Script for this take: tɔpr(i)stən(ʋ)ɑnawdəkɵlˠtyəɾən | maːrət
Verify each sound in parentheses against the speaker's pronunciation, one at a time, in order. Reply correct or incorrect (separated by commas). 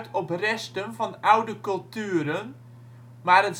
incorrect, incorrect